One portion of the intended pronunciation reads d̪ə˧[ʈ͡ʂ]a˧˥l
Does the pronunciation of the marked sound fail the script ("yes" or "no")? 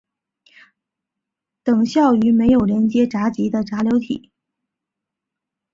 no